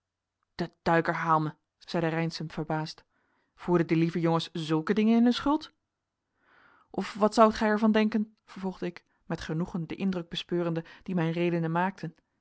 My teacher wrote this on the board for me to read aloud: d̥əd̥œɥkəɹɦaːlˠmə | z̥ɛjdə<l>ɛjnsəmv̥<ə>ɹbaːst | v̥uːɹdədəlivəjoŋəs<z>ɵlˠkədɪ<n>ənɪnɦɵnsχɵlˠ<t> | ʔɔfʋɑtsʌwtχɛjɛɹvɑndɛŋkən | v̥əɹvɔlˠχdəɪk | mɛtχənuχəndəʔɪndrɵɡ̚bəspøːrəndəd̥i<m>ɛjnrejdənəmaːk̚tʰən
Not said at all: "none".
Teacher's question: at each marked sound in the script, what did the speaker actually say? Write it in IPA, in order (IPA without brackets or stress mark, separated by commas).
r, ə, z, ŋ, t, m